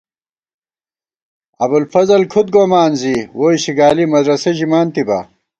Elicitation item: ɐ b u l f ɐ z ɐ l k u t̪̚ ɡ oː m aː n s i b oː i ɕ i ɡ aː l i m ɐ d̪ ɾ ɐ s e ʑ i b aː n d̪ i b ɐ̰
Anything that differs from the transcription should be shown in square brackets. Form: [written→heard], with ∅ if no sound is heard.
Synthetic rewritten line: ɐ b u l f ɐ z ɐ l [k→kʰ] u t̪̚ ɡ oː m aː n [s→z] i [b→w] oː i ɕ i ɡ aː l i m ɐ d̪ ɾ ɐ s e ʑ i [b→m] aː n [d̪→t̪] i b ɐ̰